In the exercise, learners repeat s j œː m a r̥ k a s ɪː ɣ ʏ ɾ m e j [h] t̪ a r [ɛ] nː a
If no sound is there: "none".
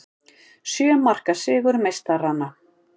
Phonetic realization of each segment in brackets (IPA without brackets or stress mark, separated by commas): s, a